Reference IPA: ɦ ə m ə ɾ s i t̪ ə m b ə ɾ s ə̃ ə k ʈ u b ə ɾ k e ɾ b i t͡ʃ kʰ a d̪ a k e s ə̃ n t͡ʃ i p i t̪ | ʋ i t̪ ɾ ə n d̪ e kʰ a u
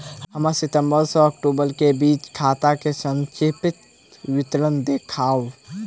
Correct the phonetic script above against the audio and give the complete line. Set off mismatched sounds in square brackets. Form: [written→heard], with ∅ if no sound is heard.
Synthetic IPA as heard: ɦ ə m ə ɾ s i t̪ ə m b ə ɾ s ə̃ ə k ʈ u b ə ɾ k e [ɾ→∅] b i t͡ʃ kʰ a [d̪→t̪] a k e s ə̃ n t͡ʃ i p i t̪ | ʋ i t̪ ɾ ə n d̪ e kʰ a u